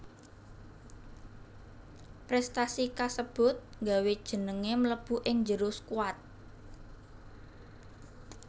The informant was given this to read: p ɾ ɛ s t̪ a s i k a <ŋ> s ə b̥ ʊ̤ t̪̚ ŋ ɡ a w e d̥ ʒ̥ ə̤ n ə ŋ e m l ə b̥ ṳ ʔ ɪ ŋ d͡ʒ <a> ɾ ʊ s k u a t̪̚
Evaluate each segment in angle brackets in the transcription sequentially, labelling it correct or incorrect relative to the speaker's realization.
incorrect: none, incorrect: ə

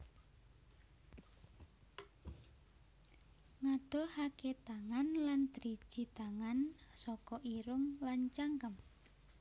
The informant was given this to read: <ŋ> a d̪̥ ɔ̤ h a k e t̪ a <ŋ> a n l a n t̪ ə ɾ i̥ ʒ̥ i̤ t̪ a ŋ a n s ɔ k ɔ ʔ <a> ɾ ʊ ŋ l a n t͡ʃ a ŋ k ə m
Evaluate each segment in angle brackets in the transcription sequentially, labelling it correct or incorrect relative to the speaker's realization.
correct, correct, incorrect: i

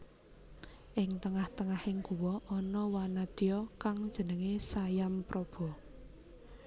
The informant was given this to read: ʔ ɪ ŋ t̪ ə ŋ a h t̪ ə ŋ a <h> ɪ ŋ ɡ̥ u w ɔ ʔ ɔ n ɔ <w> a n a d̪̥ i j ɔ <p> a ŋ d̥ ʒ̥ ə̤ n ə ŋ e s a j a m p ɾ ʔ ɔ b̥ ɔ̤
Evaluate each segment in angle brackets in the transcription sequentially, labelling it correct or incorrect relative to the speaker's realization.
correct, correct, incorrect: k

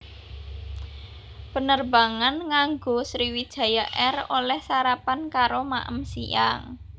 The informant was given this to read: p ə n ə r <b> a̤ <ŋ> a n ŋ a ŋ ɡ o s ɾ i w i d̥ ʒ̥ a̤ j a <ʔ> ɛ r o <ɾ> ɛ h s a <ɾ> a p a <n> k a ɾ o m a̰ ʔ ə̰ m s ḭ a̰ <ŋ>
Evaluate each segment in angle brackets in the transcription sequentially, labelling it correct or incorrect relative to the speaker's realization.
correct, correct, correct, incorrect: l, correct, correct, correct

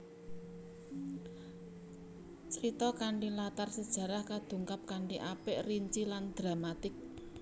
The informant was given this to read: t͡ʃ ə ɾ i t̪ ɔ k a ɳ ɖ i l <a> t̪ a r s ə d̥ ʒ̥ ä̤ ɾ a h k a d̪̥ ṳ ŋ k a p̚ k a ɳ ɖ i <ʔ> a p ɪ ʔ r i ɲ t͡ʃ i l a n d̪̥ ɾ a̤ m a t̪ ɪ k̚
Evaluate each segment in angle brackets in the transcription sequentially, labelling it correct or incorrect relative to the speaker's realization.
correct, correct

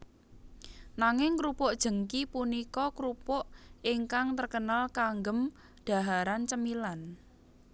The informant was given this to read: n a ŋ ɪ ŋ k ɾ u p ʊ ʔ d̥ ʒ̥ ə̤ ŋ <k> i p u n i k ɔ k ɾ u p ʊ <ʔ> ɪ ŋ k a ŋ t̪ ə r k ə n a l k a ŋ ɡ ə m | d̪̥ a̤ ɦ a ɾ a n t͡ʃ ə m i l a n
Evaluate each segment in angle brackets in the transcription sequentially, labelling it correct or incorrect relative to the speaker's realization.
correct, correct

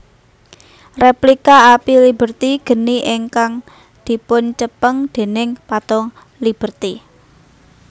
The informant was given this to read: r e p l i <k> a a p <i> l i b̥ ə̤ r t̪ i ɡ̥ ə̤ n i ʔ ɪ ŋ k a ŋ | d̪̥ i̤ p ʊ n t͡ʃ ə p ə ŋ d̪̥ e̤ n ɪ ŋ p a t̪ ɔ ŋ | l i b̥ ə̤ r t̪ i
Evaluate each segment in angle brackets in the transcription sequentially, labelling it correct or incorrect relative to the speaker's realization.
correct, correct

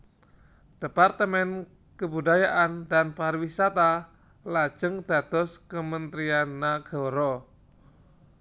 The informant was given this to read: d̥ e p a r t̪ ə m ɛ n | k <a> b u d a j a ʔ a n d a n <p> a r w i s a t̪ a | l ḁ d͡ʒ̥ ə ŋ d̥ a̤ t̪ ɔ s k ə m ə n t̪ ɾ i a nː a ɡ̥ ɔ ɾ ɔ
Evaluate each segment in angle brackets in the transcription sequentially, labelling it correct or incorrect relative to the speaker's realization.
incorrect: ə, correct

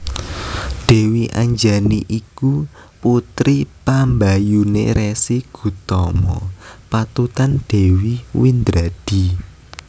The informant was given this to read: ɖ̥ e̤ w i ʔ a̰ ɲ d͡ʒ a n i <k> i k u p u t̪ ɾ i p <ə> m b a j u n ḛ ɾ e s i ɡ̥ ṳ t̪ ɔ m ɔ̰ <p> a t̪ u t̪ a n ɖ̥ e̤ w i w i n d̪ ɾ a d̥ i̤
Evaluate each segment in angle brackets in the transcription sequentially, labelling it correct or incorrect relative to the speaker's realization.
incorrect: ʔ, incorrect: a, correct

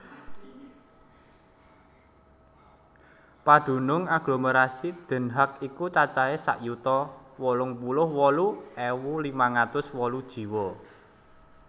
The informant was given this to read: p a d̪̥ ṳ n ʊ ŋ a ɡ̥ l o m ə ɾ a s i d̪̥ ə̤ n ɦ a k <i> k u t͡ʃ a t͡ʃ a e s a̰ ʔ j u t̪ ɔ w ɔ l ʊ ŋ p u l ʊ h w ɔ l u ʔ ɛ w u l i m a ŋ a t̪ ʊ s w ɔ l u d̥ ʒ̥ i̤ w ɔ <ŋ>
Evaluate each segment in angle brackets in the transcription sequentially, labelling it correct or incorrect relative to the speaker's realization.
correct, incorrect: none

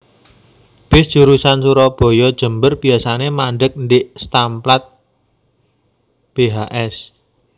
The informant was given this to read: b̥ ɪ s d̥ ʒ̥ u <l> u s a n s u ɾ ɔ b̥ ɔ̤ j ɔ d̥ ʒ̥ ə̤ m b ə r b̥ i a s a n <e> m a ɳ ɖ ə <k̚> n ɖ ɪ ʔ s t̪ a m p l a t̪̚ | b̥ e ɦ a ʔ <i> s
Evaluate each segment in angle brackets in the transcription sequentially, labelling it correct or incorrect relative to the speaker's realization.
incorrect: ɾ, correct, correct, incorrect: ɛ

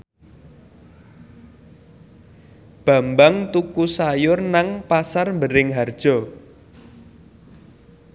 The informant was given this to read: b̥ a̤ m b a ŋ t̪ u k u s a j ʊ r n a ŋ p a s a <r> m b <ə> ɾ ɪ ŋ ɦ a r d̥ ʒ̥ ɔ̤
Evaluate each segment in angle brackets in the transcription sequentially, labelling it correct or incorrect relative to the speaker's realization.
correct, correct

